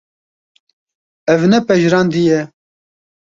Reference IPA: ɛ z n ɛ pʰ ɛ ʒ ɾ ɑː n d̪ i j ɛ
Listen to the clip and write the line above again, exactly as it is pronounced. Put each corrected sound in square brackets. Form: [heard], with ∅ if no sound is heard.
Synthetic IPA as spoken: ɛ [v] n ɛ [p] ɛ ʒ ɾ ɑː n d̪ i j ɛ